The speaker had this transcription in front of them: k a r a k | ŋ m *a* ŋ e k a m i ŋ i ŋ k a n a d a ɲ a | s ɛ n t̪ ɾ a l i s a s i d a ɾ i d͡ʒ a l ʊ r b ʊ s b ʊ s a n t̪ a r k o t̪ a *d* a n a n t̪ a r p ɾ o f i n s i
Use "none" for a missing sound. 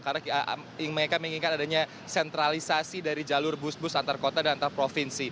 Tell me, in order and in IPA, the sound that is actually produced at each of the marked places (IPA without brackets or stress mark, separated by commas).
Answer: ə, d